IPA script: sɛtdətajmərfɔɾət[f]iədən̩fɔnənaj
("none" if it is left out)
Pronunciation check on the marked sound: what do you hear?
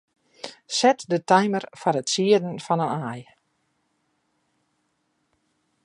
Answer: s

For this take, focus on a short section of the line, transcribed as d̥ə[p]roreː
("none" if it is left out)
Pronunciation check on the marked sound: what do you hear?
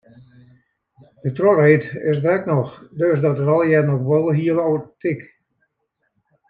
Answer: t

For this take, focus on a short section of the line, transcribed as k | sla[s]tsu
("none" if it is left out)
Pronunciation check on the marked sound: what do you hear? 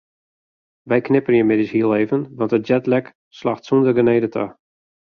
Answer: x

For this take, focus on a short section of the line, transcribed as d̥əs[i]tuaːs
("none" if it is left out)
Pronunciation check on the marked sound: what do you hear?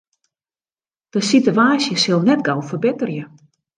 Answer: i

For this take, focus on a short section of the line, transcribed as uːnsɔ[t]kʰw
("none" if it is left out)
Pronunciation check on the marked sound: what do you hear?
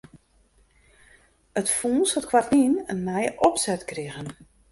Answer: t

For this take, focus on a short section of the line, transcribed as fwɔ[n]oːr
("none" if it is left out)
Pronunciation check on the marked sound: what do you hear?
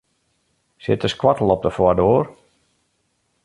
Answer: d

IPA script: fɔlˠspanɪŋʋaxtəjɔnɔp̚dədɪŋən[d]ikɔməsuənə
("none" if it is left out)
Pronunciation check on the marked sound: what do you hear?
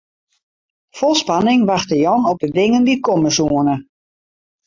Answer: d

